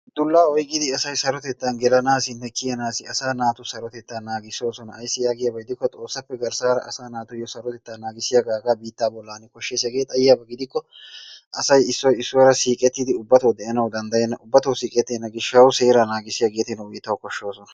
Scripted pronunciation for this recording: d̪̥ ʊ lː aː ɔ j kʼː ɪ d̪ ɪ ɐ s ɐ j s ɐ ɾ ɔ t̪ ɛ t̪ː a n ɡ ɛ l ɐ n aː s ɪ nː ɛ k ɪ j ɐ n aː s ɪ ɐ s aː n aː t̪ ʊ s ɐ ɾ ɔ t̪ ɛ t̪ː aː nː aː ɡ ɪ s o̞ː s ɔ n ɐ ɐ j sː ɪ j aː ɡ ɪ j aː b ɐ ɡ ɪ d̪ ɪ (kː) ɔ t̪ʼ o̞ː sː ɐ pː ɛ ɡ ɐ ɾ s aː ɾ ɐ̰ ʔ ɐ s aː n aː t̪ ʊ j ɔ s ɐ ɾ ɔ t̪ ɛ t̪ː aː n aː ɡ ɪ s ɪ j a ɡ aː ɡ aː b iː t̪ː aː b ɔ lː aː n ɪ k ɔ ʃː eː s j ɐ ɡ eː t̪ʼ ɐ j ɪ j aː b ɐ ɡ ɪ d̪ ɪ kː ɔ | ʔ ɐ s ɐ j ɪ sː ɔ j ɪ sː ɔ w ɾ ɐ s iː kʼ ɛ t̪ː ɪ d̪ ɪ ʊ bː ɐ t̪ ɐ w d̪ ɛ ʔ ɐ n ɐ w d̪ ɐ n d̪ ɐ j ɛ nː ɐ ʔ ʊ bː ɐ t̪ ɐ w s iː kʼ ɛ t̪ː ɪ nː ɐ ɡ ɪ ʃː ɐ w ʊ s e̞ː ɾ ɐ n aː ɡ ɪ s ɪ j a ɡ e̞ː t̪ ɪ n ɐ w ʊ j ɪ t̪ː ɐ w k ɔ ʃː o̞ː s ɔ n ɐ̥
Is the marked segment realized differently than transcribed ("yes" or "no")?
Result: no